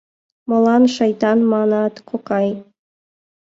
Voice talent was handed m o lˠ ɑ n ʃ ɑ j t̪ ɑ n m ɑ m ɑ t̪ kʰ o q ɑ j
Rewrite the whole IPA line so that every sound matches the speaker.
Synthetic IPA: m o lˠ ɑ n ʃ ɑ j t̪ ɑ n m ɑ n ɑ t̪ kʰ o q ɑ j